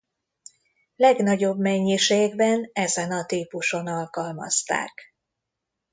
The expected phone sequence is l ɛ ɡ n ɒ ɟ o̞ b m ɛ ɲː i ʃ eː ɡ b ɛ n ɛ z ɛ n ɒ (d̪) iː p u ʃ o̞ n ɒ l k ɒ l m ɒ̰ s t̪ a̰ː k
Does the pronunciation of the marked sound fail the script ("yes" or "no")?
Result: yes